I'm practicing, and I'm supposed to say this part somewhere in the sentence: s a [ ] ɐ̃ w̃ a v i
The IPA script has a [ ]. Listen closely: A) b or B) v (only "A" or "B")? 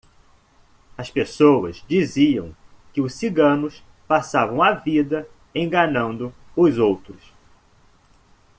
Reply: B